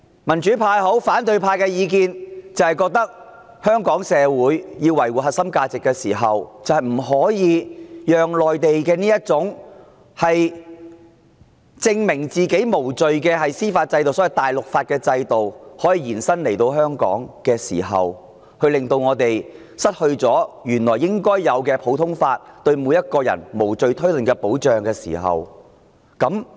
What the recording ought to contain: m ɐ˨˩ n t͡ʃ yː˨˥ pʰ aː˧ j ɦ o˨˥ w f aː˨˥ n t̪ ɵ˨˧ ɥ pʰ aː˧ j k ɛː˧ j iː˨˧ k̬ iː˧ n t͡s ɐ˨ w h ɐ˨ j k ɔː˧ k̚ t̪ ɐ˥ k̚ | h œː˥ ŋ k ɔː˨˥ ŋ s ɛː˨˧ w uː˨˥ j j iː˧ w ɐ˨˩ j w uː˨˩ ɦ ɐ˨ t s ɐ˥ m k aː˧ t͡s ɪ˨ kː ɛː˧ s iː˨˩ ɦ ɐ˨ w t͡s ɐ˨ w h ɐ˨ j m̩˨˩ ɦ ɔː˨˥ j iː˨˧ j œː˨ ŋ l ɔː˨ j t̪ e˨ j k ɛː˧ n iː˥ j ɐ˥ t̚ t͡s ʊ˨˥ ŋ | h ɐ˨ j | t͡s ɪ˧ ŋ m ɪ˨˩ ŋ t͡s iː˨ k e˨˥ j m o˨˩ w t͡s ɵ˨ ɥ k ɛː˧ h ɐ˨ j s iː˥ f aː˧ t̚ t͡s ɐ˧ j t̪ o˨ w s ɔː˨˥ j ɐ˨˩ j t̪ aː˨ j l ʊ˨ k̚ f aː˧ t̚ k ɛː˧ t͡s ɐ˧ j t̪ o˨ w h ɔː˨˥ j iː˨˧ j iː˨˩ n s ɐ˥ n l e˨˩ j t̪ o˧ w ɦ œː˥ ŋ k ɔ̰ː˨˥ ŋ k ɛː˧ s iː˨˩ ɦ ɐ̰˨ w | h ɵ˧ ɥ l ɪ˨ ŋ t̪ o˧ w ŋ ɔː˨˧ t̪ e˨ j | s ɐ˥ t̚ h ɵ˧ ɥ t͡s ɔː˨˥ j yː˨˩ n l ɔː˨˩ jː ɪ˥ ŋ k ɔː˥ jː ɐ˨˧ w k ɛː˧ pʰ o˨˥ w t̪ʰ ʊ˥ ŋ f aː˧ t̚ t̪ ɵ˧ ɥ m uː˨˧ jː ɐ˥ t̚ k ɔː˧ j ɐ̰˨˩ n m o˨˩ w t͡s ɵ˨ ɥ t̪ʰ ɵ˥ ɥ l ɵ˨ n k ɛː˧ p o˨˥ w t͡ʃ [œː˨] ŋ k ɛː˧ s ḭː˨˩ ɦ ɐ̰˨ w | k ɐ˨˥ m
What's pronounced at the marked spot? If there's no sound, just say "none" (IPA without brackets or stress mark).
œː˨